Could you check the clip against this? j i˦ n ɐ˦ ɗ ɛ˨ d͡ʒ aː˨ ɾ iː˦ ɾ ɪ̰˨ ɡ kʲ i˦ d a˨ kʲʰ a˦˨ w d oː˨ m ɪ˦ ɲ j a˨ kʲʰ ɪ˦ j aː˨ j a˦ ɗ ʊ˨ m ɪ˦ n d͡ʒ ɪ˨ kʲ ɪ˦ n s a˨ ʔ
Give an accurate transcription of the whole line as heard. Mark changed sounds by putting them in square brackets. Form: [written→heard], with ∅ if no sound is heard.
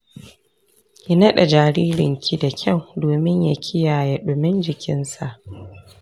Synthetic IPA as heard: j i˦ n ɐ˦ ɗ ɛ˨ d͡ʒ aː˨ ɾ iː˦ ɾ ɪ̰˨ [ɡ→ŋ] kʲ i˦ d a˨ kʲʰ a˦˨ w d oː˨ m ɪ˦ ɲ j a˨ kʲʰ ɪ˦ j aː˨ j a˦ ɗ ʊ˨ m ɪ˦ n d͡ʒ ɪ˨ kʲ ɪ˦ n s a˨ ʔ